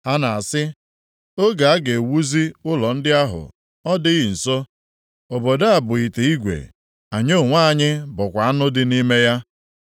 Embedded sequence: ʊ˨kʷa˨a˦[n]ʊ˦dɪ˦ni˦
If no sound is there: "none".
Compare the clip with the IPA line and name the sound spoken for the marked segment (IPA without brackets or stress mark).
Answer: n